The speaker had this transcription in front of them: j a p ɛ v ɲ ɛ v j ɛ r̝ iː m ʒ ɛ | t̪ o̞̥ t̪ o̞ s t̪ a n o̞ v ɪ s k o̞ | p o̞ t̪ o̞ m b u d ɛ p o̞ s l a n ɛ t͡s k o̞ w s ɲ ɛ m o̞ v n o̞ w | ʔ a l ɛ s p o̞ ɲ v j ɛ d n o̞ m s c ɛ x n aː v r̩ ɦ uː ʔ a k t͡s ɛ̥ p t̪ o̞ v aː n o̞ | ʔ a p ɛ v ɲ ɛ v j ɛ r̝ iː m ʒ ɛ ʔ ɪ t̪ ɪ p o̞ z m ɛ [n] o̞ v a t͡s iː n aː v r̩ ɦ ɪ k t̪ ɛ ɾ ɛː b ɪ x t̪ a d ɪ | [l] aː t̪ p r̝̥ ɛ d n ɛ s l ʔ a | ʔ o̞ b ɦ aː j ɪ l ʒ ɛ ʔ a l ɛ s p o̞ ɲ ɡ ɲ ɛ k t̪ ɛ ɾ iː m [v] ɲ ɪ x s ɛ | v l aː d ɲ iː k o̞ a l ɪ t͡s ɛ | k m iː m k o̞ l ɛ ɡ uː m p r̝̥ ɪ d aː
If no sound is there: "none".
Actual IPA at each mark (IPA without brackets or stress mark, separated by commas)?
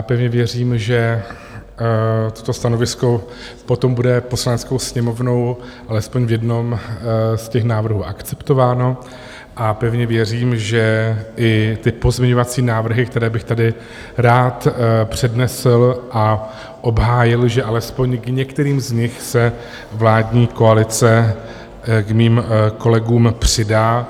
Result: ɲ, ɾ, z